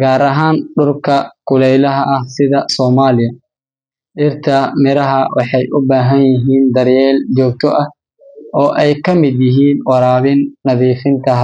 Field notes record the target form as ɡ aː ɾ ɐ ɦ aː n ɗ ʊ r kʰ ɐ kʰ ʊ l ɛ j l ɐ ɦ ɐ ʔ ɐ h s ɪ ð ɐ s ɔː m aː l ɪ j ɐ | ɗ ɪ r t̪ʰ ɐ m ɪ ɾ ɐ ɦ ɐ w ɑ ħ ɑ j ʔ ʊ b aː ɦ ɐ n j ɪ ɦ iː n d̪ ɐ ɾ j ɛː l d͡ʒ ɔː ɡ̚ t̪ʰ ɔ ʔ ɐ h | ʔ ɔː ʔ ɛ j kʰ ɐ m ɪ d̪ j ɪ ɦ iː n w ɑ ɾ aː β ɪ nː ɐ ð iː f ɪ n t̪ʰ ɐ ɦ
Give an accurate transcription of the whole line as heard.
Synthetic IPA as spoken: ɡ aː ɾ ɐ ɦ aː n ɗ ʊ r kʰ ɐ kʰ ʊ l ɛ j l ɐ ɦ ɐ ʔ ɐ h s ɪ ð ɐ s ɔː m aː l ɪ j ɐ | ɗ ɪ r t̪ʰ ɐ m ɪ ɾ ɐ ɦ ɐ w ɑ ħ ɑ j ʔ ʊ b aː ɦ ɐ n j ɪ ɦ iː n d̪ ɐ ɾ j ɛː l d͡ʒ ɔː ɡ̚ t̪ʰ ɔ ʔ ɐ h | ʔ ɔː ʔ ɛ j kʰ ɐ m ɪ d̪ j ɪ ɦ iː n w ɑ ɾ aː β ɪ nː ɐ ð iː f ɪ n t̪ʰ ɐ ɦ